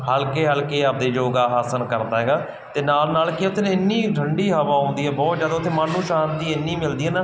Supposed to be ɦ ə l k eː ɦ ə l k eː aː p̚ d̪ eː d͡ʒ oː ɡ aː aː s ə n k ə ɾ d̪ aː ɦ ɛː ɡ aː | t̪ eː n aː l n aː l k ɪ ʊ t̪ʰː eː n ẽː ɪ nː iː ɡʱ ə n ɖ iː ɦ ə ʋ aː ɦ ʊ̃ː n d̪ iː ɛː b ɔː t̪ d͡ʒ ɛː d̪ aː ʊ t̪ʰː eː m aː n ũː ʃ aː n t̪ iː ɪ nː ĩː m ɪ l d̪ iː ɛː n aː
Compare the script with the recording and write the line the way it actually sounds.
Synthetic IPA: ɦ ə l k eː ɦ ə l k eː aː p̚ d̪ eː d͡ʒ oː ɡ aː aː s ə n k ə ɾ d̪ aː ɦ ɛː ɡ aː | t̪ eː n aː l n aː l k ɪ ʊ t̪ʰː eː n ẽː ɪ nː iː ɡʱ ə ɳ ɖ iː ɦ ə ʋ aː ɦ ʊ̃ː n d̪ iː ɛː b ɔː t̪ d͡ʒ aː d̪ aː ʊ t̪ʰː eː m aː n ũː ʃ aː n t̪ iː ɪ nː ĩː m ɪ l d̪ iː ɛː n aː